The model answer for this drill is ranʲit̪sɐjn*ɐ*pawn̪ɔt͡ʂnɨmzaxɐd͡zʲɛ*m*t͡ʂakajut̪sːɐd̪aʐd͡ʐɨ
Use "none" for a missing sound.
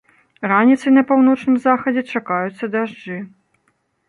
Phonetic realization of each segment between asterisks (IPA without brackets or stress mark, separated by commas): ɐ, none